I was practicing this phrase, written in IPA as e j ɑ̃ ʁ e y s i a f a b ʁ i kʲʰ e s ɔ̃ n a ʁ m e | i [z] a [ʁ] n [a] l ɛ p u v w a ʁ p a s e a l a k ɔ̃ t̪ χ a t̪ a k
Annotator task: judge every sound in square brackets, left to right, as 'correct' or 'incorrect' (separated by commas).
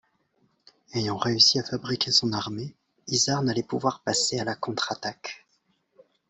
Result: correct, correct, correct